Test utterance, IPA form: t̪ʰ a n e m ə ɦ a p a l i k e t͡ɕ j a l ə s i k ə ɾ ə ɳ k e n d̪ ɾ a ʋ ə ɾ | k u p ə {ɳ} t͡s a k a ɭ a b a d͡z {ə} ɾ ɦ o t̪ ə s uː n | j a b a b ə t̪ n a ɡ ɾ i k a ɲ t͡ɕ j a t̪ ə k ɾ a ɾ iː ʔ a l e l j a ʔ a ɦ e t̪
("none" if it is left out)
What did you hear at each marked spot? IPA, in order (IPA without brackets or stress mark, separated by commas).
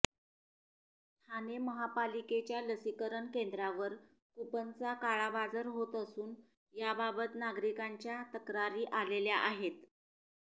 n, ə